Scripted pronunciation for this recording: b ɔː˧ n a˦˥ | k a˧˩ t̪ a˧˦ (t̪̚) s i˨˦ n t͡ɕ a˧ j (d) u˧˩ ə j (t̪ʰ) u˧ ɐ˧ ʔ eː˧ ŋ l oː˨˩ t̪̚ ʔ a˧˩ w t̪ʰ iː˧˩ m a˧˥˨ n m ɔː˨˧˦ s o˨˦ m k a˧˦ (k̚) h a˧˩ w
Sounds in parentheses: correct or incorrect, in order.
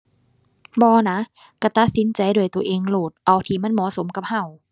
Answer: correct, correct, incorrect: t̪, incorrect: p̚

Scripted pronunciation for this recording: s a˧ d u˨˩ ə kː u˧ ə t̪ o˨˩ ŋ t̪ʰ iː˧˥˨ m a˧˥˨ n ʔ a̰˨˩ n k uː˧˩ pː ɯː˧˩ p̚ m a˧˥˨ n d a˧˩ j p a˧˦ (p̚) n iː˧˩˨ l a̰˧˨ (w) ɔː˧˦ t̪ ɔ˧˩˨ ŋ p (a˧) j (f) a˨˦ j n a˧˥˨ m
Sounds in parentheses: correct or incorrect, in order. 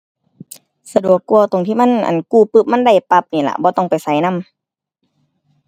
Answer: correct, incorrect: b, incorrect: a˨˩, incorrect: s

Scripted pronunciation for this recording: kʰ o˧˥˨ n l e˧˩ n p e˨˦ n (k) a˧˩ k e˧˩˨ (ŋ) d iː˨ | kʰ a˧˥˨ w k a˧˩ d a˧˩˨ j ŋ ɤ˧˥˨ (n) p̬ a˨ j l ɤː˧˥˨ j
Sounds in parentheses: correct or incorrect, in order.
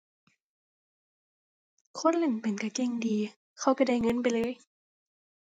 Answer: correct, correct, correct

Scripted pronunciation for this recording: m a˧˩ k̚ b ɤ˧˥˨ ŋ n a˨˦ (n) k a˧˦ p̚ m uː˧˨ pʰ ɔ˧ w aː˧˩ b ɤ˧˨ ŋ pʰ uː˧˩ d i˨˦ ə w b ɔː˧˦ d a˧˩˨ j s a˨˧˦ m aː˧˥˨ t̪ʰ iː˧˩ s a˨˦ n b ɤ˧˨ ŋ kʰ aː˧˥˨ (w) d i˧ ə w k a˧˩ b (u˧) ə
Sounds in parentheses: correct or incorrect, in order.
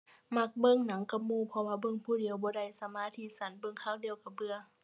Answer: incorrect: ŋ, correct, incorrect: ɯ˧

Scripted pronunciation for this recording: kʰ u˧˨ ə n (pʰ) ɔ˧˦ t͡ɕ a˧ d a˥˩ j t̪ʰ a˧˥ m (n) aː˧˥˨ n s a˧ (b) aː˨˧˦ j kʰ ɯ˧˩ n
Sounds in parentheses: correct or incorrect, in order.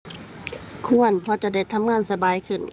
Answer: correct, incorrect: ŋ, correct

